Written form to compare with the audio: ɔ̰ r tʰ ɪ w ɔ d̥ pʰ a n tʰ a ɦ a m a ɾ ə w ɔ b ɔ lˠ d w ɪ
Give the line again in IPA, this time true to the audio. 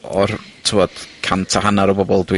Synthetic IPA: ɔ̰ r tʰ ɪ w ɔ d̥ kʰ a n tʰ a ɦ a n a ɾ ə b ɔ b ɔ lˠ d w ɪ